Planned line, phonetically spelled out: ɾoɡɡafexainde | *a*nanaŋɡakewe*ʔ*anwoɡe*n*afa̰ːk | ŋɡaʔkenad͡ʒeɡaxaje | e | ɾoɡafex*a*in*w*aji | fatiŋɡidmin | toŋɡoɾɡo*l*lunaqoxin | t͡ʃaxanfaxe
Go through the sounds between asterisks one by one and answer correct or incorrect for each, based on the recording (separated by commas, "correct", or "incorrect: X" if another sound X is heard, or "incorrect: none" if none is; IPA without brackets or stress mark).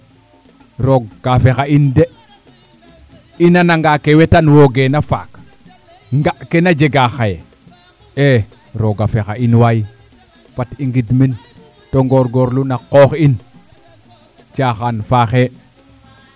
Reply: incorrect: i, incorrect: t, correct, correct, correct, incorrect: ɾ